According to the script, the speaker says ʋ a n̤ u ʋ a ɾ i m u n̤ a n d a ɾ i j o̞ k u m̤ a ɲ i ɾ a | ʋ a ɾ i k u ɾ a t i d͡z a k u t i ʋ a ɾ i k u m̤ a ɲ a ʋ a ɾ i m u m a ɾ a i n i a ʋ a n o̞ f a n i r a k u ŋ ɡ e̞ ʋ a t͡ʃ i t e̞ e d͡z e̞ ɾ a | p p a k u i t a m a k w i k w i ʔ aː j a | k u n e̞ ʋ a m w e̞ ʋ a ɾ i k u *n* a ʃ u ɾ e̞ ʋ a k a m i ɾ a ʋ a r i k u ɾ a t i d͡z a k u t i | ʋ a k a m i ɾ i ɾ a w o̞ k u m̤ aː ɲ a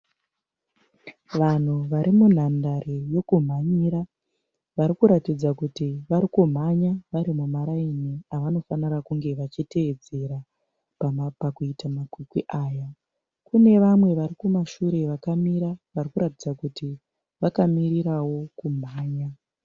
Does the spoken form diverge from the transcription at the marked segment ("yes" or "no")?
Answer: yes